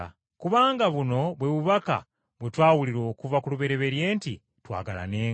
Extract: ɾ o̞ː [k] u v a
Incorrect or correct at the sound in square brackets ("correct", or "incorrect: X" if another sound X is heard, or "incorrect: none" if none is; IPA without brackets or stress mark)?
correct